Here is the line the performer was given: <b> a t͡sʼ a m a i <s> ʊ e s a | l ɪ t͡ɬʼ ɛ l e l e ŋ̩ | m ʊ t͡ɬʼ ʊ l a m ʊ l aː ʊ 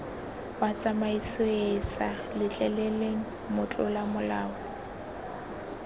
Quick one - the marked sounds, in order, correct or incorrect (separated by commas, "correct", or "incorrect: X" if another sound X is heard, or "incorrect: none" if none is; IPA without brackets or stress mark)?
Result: incorrect: w, correct